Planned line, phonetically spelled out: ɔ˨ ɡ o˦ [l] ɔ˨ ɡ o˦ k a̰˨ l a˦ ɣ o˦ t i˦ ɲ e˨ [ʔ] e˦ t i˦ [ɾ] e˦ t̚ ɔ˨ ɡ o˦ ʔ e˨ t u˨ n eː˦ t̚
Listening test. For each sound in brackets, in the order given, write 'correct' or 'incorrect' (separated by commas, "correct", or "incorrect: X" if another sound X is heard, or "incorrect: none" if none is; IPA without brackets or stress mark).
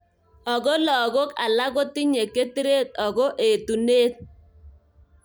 correct, incorrect: k, correct